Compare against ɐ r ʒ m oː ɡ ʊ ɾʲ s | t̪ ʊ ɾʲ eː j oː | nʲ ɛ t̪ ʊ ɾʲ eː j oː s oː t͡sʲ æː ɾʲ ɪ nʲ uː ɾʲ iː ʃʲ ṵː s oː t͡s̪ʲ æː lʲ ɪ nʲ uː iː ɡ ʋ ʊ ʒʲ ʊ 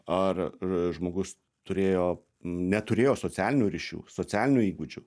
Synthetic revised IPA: ɐ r ʒ m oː ɡ ʊ s | t̪ ʊ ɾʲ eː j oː | nʲ ɛ t̪ ʊ ɾʲ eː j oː s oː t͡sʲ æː lʲ ɪ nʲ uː ɾʲ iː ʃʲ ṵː s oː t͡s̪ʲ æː lʲ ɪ nʲ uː iː ɡ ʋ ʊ d͡ʒʲ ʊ